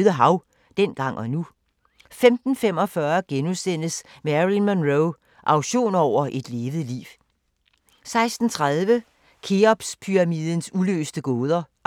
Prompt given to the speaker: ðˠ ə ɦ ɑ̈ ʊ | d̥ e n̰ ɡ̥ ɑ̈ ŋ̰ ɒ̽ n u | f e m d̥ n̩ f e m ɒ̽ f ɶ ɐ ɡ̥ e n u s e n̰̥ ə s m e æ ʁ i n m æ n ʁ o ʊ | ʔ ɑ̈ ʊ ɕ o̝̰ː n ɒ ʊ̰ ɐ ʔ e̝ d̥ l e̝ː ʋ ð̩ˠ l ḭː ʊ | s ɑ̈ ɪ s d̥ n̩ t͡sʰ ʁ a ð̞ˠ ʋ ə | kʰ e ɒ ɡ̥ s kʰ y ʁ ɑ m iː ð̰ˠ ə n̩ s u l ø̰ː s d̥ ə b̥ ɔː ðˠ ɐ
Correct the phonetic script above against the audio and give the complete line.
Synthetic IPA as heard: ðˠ ə ɦ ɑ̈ ʊ | d̥ e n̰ ɡ̥ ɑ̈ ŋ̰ ɒ̽ n u | f e m d̥ n̩ f e m ɒ̽ f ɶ ɐ ɡ̥ e n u s e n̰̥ ə s m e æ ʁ i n m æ n ʁ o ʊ | ʔ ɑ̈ ʊ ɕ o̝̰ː n ɒ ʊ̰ ɐ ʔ e̝ d̥ l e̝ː ʋ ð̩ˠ l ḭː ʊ | s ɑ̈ ɪ s d̥ n̩ t͡sʰ ʁ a ð̞ˠ ʋ ə | kʰ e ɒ b̥ s pʰ y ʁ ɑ m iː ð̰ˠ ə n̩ s u l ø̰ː s d̥ ə ɡ̥ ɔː ðˠ ɐ